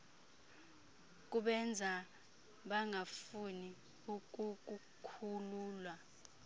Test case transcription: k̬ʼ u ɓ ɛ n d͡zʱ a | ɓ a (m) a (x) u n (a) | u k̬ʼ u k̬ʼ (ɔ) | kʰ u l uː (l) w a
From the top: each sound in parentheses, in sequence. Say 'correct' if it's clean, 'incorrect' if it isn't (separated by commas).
incorrect, incorrect, incorrect, incorrect, correct